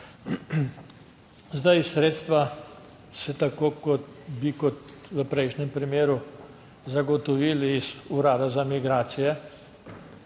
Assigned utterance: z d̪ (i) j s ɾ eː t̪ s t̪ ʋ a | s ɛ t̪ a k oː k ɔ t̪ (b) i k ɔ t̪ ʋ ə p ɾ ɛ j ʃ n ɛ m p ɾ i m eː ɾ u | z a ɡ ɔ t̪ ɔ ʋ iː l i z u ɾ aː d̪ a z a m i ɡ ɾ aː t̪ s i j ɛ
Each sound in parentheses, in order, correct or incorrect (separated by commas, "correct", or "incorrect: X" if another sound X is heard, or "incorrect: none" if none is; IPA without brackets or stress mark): incorrect: a, correct